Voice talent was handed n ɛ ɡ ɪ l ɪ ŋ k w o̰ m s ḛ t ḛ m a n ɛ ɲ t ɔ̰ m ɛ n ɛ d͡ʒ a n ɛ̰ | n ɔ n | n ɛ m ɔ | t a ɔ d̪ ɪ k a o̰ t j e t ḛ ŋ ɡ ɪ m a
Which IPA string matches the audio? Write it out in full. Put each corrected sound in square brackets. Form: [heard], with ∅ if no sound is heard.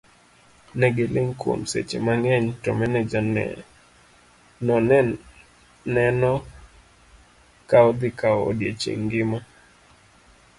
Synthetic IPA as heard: n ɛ ɡ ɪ l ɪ ŋ k w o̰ m s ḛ [t͡ʃ] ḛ m a [ŋ] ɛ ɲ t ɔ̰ m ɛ n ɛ d͡ʒ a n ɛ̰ | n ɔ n | n ɛ [n] ɔ | [k] a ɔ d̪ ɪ k a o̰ [d] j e [t͡ʃ] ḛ ŋ ɡ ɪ m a